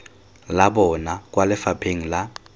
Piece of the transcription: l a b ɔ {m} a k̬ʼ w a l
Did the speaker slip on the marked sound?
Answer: yes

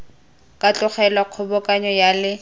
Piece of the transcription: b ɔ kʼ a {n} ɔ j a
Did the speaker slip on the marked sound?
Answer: yes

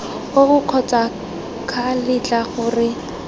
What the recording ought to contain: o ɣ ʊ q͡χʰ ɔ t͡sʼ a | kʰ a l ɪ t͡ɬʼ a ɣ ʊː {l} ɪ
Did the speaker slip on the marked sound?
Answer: yes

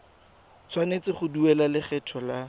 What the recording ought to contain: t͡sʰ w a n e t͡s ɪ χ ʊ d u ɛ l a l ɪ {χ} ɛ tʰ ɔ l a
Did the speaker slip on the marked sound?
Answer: no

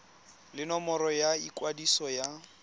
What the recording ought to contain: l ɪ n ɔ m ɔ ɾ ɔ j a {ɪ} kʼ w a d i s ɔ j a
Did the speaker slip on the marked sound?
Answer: yes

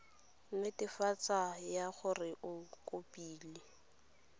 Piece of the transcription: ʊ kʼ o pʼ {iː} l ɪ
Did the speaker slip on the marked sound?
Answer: no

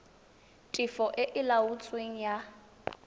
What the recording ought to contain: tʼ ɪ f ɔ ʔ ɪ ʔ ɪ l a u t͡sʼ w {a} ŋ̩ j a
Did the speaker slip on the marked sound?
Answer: yes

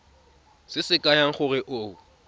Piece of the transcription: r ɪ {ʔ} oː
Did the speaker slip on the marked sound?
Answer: no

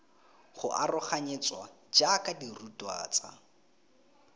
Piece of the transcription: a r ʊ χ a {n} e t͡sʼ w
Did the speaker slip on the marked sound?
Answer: yes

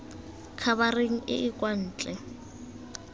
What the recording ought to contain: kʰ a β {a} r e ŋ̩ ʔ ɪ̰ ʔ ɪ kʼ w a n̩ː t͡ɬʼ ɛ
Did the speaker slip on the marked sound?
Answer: no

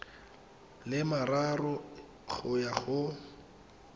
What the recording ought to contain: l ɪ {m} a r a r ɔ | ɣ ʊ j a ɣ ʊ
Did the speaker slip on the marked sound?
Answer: no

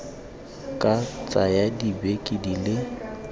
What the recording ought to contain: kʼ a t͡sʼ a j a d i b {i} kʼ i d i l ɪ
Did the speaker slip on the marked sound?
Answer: yes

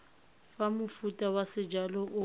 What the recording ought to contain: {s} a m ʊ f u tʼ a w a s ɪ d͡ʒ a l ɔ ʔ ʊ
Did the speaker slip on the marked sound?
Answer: yes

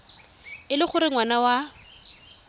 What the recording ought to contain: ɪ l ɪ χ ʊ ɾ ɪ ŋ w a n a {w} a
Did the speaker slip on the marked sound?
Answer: no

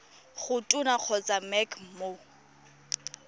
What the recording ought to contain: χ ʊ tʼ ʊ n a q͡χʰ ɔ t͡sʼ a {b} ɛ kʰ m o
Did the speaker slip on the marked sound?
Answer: yes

